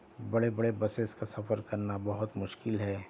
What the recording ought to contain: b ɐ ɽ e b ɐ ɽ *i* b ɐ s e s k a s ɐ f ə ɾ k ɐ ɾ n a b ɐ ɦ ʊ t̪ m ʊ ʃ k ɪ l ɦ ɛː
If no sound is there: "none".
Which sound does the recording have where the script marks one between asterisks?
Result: e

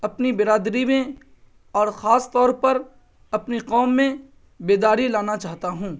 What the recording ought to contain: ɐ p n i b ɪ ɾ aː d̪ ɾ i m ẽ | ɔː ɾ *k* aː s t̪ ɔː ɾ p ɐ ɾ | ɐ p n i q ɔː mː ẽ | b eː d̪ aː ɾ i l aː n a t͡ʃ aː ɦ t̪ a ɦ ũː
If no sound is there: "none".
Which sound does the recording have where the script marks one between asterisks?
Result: x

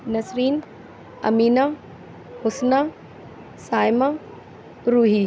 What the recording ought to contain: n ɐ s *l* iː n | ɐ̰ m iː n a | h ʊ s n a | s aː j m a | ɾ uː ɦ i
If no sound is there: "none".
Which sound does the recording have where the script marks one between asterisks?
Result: ɾ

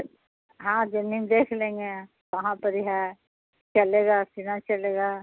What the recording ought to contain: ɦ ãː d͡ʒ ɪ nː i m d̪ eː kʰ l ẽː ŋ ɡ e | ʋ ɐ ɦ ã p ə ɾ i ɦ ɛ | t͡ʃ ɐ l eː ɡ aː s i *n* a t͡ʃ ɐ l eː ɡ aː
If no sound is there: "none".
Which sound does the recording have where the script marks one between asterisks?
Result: n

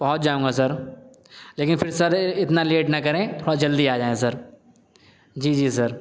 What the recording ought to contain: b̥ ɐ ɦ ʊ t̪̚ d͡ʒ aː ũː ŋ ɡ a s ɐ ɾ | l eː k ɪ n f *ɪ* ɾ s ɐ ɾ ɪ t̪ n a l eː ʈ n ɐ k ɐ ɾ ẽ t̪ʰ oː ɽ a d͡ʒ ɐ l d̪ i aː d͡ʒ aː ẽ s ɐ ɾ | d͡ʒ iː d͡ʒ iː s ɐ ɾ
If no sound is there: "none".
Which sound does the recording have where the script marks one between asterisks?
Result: ɪ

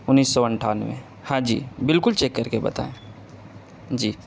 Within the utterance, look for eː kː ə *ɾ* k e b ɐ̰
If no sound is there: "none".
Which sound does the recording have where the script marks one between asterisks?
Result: ɾ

